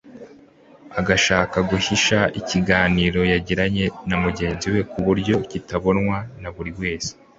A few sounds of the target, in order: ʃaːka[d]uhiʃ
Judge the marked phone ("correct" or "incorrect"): incorrect